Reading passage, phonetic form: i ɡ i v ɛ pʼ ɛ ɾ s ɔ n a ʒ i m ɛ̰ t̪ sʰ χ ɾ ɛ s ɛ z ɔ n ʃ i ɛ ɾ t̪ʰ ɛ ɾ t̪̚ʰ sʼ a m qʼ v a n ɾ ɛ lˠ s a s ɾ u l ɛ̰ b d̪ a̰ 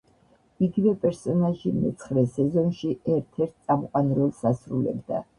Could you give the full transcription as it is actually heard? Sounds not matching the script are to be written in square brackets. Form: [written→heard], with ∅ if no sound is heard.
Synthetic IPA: i ɡ i v ɛ pʼ ɛ ɾ s ɔ n a ʒ i m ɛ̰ t̪ sʰ χ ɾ ɛ s ɛ z ɔ n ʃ i ɛ ɾ t̪ʰ ɛ ɾ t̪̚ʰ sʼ a m qʼ [v→w] a n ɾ ɛ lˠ s a s ɾ u l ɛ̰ b d̪ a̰